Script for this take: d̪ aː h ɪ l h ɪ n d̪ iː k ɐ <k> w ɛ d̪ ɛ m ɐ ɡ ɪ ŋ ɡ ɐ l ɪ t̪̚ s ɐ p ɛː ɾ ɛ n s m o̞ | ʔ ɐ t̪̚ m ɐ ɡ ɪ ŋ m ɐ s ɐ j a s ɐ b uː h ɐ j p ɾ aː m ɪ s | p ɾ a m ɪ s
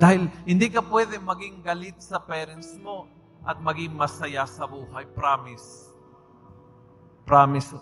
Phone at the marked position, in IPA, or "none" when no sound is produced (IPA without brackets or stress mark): p